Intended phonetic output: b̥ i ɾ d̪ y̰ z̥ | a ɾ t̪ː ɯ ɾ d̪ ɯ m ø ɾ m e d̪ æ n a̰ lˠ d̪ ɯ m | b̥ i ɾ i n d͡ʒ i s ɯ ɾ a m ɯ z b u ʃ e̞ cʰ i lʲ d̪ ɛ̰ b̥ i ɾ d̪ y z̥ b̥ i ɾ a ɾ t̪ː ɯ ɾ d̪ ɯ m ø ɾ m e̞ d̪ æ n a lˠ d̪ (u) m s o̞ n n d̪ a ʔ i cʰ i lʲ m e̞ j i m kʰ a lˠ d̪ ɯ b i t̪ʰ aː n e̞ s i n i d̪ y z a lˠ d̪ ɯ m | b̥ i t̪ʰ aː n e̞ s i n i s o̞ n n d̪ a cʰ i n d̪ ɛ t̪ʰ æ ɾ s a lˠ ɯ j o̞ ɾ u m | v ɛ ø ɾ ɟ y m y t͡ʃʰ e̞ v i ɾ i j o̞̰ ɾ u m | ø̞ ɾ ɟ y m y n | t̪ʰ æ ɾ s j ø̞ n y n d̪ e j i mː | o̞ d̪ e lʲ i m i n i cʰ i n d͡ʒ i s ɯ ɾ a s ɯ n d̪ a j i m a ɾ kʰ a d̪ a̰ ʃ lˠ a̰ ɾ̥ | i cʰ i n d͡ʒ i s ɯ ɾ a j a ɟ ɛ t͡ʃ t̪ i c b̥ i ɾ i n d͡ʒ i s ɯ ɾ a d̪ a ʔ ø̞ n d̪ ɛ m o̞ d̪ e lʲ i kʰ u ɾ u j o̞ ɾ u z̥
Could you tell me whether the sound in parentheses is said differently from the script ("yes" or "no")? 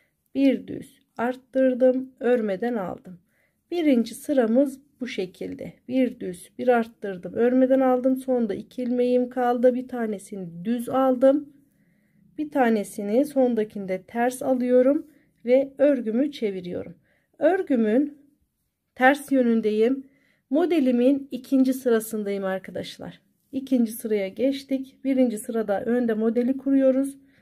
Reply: yes